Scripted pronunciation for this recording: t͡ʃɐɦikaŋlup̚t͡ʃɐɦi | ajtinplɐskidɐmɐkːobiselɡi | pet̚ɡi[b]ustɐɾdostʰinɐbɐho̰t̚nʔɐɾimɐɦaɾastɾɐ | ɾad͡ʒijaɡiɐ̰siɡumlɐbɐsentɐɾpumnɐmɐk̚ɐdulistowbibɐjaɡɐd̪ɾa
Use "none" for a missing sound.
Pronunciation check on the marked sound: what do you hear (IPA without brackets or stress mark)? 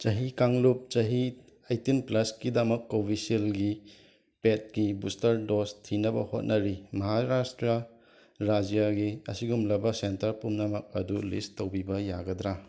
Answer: b